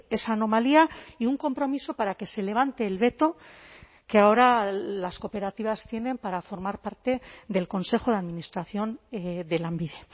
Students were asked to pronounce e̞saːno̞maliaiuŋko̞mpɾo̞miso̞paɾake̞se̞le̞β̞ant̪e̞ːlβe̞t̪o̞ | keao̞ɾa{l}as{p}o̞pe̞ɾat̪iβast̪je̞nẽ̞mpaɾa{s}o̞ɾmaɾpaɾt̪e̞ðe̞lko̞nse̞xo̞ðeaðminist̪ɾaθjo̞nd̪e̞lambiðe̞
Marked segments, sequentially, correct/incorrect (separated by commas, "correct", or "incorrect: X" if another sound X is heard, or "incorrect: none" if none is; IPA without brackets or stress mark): correct, incorrect: k, incorrect: f